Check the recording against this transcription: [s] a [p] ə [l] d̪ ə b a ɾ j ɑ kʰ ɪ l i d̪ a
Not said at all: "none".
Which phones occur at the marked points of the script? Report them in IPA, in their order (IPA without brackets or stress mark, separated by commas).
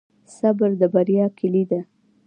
s, b, ɾ